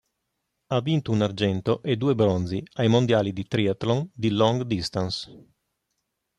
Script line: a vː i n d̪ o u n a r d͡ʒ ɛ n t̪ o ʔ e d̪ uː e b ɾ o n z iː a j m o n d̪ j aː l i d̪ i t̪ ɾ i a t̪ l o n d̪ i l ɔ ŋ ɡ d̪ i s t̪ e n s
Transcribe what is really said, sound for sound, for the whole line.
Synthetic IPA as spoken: a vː i n t̪ o u n a r d͡ʒ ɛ n t̪ o ʔ e d̪ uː e b ɾ o n z i a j m o n d̪ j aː l i d̪ i t̪ ɾ i a t̪ l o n d̪ i l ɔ ŋ ɡ d̪ i s t̪ a n s